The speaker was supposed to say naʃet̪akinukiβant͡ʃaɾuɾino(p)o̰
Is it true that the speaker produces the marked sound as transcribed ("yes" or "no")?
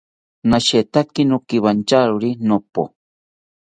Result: yes